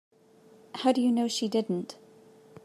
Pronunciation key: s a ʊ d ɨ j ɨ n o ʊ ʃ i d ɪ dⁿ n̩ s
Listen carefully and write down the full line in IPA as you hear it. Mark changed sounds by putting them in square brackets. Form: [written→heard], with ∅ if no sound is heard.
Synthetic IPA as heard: [s→h] a ʊ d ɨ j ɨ n o ʊ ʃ i d ɪ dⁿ n̩ [s→t]